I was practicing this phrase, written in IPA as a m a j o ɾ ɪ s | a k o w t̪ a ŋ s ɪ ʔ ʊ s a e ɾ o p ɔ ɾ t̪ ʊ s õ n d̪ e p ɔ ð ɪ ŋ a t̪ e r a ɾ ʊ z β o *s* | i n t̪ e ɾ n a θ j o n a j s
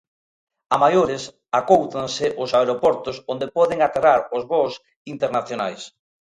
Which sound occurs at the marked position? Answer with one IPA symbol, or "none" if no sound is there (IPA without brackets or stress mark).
s